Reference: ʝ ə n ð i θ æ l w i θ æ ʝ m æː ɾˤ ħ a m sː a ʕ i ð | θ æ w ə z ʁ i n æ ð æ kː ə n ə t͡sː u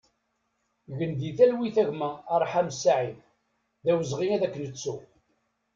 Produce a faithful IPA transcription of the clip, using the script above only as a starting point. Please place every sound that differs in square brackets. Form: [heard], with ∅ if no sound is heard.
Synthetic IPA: ʝ ə n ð i θ æ l w i θ æ ʝ m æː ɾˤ ħ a m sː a ʕ i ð | [ð] æ w ə z ʁ i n æ ð æ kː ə n ə t͡sː u